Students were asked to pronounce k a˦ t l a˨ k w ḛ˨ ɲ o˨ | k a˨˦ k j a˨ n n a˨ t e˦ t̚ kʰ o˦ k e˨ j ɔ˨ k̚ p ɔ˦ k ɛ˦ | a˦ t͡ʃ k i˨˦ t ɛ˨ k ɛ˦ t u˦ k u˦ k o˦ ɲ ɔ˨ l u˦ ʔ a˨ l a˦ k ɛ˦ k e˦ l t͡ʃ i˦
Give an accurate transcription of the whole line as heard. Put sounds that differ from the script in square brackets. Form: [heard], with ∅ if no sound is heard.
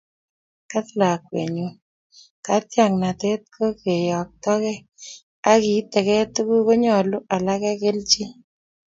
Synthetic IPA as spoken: k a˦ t l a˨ k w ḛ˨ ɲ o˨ | k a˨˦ [t] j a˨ [ŋ] n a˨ t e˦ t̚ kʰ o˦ k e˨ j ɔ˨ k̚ [t] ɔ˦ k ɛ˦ | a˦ [∅] k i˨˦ t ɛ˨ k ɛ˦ t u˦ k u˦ k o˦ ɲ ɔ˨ l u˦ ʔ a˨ l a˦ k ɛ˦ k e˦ l t͡ʃ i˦